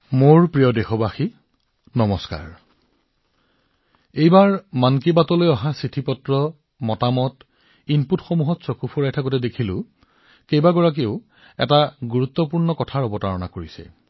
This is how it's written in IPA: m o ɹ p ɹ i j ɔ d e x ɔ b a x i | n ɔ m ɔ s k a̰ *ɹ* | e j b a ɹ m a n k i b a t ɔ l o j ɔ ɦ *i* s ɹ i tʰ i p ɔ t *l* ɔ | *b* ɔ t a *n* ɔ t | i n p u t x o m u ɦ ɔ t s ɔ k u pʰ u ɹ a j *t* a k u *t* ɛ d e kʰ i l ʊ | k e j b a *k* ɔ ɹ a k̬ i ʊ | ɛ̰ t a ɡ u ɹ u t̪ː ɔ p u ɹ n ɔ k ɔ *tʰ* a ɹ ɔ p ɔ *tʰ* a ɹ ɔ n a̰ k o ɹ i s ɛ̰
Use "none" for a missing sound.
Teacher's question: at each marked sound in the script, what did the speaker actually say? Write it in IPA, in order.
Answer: ɹ, a, ɹ, m, m, tʰ, t, ɡ, tʰ, t

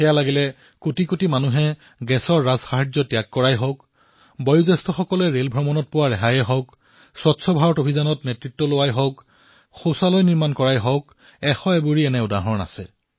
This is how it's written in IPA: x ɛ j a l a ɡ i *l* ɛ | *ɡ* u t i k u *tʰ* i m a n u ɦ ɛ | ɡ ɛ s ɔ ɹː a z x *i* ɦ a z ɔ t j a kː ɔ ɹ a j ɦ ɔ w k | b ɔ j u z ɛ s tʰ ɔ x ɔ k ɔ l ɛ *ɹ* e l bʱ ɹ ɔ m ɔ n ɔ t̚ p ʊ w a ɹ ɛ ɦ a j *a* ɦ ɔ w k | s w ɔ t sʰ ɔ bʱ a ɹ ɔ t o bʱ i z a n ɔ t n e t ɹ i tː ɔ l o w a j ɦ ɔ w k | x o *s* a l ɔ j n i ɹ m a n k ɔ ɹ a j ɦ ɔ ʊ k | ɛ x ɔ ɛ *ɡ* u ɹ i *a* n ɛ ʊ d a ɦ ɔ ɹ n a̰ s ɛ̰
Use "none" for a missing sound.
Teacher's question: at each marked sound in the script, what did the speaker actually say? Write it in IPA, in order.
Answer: l, k, t, a, ɹ, ɛ, s, b, ɛ

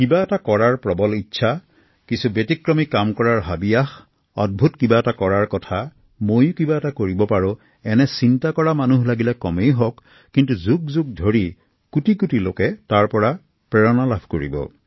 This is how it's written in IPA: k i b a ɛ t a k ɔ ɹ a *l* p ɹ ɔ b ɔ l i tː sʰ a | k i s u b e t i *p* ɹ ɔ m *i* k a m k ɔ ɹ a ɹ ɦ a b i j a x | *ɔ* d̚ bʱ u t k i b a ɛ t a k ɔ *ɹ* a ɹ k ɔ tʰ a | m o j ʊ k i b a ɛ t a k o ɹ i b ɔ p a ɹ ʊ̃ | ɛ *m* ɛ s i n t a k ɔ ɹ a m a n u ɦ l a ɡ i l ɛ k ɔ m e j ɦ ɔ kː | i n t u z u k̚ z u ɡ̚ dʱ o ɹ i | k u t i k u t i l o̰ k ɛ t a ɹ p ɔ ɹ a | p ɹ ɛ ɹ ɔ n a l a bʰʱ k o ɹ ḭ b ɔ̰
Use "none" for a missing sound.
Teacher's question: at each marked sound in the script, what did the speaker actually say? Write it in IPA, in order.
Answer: ɹ, k, i, ɔ, ɹ, n

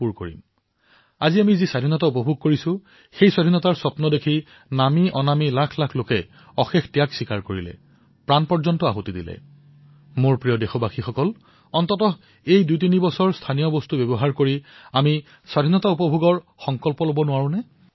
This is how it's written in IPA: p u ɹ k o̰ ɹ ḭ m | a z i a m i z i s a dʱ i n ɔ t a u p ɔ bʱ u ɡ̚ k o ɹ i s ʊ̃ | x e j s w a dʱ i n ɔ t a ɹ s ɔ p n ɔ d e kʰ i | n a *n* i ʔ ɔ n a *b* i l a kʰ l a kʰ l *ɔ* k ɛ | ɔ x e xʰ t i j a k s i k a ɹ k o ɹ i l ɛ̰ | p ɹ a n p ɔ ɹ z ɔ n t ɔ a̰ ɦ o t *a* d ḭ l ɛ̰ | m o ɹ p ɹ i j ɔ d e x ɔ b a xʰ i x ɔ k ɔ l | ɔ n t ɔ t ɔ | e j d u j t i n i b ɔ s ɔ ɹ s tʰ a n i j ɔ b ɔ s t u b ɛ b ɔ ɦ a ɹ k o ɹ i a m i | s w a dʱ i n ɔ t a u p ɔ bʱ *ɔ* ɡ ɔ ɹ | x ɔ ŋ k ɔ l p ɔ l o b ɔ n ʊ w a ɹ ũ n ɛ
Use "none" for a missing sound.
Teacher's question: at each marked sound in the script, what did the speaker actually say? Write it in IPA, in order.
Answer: m, m, o, i, u

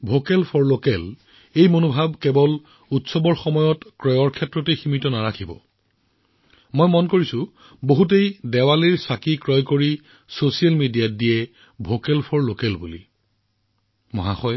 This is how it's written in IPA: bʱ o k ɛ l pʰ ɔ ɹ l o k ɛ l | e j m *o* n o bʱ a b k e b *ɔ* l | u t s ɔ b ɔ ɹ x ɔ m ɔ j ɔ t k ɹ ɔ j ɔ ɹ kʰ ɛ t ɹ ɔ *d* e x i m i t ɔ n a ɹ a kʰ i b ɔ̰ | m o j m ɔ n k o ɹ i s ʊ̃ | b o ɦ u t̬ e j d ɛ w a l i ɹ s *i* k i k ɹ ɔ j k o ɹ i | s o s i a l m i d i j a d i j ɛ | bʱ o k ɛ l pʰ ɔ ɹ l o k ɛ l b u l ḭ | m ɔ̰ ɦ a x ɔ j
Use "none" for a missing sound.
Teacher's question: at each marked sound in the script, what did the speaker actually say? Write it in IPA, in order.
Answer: o, ɔ, t, a

